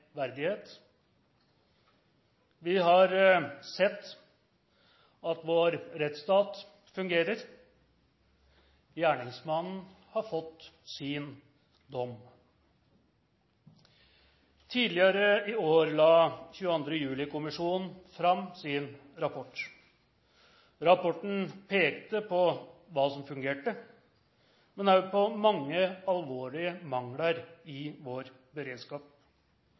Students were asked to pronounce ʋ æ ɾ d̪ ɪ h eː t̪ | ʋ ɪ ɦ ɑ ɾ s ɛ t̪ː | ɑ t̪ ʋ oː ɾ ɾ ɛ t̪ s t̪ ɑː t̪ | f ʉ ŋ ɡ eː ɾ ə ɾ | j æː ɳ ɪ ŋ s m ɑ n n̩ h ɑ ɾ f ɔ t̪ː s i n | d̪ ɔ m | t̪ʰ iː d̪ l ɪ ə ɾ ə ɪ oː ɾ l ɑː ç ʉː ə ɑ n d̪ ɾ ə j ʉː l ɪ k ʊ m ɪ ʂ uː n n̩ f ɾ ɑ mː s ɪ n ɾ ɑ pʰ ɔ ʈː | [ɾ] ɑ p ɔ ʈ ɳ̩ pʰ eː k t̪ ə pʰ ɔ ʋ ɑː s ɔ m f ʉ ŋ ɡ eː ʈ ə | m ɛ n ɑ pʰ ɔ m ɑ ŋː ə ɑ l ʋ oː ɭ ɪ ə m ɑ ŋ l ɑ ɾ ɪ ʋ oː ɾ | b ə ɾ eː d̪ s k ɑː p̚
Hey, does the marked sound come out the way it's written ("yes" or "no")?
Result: yes